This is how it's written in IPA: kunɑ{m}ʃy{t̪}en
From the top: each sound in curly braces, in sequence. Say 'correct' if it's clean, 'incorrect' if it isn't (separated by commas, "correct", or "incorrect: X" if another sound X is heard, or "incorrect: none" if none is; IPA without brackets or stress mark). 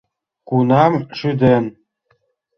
correct, incorrect: d̪